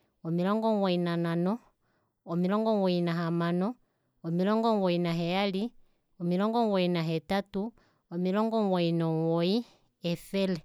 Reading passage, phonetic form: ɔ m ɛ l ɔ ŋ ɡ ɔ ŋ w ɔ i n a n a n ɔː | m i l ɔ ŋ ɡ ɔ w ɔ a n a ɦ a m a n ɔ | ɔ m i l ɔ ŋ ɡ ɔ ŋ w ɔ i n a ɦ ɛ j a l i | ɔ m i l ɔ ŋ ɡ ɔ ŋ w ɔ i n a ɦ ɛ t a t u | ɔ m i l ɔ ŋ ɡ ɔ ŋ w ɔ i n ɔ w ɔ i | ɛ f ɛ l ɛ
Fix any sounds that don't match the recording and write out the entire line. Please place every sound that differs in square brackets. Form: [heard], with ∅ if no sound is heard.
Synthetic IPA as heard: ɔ m [i] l ɔ ŋ ɡ ɔ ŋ w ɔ i n a n a n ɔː | m i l ɔ ŋ ɡ ɔ w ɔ [i] n a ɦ a m a n ɔ | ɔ m i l ɔ ŋ ɡ ɔ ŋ w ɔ i n a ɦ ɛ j a l i | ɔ m i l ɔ ŋ ɡ ɔ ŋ w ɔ i n a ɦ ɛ t a t u | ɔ m i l ɔ ŋ ɡ ɔ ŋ w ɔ i n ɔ w ɔ i | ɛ f ɛ l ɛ